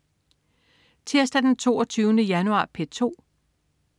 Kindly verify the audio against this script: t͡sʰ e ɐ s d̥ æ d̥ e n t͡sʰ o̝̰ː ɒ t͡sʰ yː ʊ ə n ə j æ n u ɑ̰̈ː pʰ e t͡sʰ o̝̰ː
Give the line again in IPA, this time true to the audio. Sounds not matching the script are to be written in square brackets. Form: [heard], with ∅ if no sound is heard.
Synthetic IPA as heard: t͡sʰ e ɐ s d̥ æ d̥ e n t͡sʰ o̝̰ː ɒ t͡sʰ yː ʊ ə n ə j æ n u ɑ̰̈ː pʰ e t͡sʰ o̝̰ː

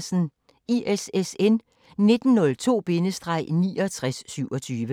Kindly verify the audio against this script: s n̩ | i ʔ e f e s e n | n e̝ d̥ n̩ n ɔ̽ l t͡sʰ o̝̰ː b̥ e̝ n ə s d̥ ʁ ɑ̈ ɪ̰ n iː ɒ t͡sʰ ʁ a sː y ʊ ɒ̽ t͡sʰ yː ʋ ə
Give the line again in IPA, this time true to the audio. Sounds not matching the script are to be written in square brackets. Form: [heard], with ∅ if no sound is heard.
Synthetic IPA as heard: s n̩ | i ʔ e [s] e s e n | n e̝ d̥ n̩ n ɔ̽ l t͡sʰ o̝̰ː b̥ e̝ n ə s d̥ ʁ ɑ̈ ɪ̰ n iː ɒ t͡sʰ ʁ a sː y ʊ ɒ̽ t͡sʰ yː ʋ ə

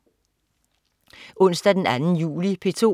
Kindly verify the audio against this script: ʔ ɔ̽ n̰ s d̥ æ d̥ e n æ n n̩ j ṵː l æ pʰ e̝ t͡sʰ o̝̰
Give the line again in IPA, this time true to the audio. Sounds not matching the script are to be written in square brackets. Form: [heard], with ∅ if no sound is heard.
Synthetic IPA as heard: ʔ ɔ̽ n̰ s d̥ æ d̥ e n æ n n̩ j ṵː l [i] pʰ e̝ t͡sʰ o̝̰

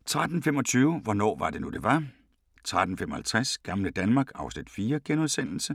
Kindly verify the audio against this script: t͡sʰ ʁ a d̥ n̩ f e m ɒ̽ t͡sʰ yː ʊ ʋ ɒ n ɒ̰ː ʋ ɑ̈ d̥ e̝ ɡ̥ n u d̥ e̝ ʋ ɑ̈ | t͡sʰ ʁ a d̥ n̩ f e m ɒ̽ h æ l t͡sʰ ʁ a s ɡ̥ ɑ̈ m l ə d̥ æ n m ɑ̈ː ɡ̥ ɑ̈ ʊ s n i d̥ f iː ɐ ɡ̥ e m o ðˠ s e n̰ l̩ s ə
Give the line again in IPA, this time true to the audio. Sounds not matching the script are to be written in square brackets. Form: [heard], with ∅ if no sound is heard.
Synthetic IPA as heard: t͡sʰ ʁ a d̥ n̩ f e m ɒ̽ t͡sʰ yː ʊ ʋ ɒ n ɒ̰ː ʋ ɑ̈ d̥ e̝ [∅] n u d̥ e̝ ʋ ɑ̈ | t͡sʰ ʁ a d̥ n̩ f e m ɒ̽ h æ l t͡sʰ ʁ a s ɡ̥ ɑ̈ m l ə d̥ æ n m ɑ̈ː ɡ̥ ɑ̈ ʊ s n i d̥ f iː ɐ ɡ̥ e [n] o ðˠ s e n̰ l̩ s ə

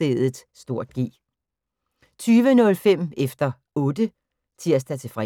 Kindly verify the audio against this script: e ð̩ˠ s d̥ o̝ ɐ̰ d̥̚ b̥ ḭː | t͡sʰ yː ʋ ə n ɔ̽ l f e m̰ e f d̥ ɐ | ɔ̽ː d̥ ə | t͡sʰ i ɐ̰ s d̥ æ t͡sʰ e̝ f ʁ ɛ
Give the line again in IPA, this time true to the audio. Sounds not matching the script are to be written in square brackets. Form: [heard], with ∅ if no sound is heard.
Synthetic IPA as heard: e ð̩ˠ s d̥ o̝ ɐ̰ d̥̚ [ɡ̥] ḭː | t͡sʰ yː ʋ ə n ɔ̽ l f e m̰ e f d̥ ɐ | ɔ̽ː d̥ ə | t͡sʰ i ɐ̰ s d̥ æ t͡sʰ e̝ f ʁ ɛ

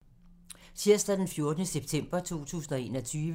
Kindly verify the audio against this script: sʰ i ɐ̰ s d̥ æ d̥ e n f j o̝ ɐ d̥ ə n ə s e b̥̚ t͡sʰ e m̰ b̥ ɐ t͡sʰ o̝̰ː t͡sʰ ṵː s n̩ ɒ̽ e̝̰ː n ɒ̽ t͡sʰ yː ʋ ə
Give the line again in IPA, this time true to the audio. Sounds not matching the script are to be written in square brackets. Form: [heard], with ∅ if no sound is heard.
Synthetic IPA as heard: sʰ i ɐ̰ s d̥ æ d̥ e n f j o̝ ɐ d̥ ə n ə s e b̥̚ t͡sʰ e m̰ b̥ ɐ t͡sʰ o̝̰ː t͡sʰ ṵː s n̩ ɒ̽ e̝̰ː n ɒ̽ t͡sʰ yː ʋ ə

